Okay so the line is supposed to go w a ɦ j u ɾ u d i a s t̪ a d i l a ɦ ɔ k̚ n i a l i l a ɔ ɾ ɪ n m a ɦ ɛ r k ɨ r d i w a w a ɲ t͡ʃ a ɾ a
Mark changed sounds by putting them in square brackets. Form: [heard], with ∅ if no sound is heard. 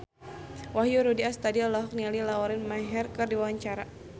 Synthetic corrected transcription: w a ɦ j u ɾ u d i a s t̪ a d i l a ɦ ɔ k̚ n i a l i l a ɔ ɾ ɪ n m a ɦ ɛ r k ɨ r d i w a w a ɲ t͡ʃ a ɾ a